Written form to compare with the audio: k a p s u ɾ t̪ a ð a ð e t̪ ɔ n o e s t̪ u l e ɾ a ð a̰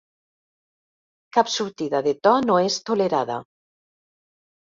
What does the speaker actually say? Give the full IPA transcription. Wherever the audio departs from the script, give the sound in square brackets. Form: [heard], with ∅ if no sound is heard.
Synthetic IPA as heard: k a p s u ɾ t̪ [i] ð a ð e t̪ ɔ n o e s t̪ [o] l e ɾ a ð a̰